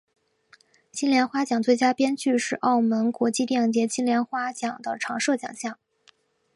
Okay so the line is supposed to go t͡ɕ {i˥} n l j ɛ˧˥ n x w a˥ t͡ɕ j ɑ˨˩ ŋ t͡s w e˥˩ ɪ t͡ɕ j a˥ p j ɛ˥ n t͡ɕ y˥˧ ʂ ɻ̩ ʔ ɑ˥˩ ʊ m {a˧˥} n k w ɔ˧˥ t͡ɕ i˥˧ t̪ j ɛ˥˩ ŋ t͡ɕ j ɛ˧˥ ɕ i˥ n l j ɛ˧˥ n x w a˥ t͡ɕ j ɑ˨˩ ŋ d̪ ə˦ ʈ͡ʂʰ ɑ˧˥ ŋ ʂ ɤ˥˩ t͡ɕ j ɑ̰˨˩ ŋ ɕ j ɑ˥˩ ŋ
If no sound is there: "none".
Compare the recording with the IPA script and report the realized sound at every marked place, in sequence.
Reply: i˥, ə˧˥

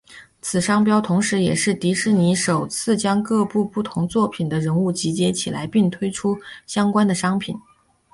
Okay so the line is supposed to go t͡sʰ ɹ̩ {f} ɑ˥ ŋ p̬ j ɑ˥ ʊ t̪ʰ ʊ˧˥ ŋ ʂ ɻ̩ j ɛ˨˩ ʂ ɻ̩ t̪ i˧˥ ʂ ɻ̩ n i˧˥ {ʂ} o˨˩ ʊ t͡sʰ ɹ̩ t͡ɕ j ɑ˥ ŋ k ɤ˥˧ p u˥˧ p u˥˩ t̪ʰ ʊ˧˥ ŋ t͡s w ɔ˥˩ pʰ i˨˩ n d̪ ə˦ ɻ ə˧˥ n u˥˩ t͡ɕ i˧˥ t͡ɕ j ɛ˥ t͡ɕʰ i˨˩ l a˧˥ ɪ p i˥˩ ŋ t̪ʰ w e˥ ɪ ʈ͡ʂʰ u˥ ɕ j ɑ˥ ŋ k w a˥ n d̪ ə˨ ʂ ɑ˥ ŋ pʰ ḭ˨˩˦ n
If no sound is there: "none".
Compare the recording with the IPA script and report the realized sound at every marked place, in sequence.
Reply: ʂ, ʂ

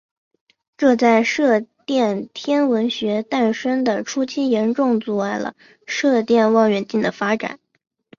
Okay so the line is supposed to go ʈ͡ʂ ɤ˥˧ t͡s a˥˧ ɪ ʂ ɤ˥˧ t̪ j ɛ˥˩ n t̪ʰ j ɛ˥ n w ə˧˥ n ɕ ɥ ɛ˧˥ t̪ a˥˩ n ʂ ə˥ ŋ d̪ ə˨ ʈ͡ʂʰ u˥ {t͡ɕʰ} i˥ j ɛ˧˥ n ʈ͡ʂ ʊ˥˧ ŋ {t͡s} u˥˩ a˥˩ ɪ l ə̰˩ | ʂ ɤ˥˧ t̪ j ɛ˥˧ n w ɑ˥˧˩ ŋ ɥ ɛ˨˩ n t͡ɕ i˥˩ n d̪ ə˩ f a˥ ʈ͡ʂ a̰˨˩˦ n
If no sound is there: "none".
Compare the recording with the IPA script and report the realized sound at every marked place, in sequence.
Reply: t͡ɕʰ, t͡s

